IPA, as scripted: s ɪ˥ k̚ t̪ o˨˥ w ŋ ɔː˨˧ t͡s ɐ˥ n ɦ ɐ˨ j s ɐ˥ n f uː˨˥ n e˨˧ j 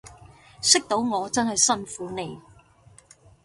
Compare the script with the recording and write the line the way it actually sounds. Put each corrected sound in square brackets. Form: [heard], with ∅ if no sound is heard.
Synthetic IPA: s ɪ˥ k̚ t̪ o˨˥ w ŋ ɔː˨˧ t͡s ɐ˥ n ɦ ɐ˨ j s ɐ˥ n f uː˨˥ n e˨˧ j